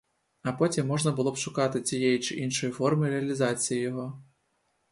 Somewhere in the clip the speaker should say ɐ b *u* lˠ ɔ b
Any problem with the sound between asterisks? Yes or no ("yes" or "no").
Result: yes